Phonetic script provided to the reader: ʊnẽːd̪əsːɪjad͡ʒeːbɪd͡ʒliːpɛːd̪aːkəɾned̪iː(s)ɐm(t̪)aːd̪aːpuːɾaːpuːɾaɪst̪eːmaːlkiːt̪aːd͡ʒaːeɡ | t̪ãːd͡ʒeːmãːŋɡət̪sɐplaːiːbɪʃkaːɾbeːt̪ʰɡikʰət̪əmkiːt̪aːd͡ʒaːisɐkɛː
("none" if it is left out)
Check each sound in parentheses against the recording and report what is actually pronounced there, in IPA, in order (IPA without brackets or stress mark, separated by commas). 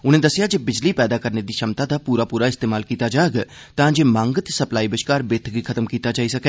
ʃ, t̪